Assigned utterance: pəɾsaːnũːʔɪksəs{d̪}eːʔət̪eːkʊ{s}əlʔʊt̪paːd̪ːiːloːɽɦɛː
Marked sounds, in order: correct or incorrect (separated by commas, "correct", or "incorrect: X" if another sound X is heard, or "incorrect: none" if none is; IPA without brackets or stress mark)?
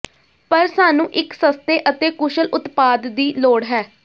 incorrect: t̪, incorrect: ʃ